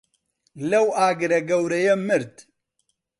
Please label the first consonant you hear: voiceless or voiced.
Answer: voiced